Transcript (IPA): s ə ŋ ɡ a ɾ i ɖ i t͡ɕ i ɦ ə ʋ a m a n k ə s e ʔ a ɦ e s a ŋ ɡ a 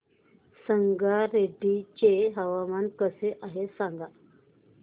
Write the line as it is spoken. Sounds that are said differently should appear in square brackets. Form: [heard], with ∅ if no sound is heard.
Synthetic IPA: s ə ŋ ɡ a ɾ [e] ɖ i t͡ɕ [e] ɦ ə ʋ a m a n k ə s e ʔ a ɦ e s a ŋ ɡ a